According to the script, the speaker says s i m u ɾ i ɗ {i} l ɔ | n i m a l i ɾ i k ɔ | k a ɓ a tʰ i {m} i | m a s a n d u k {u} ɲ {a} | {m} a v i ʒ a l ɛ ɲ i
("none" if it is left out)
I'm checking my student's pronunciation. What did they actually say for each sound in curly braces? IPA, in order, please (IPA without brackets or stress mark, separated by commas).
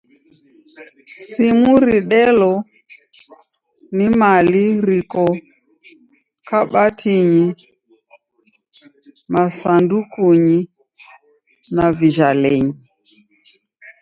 ɛ, ɲ, u, i, n